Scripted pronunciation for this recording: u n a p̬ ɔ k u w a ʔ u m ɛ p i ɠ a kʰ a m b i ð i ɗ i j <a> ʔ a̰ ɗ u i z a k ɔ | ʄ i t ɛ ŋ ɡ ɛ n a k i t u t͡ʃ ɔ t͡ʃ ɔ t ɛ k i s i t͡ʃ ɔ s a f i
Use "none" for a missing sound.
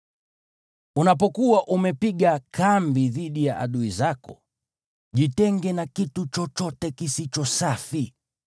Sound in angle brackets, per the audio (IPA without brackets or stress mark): a